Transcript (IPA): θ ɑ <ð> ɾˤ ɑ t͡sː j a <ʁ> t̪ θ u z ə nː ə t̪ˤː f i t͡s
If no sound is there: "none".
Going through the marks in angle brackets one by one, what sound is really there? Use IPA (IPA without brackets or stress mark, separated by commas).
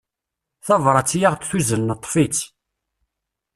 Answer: v, ʁ